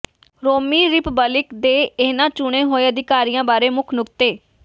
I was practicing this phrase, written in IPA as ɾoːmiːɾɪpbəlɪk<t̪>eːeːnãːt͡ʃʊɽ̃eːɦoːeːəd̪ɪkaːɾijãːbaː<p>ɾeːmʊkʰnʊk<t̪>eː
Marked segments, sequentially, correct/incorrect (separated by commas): incorrect, incorrect, correct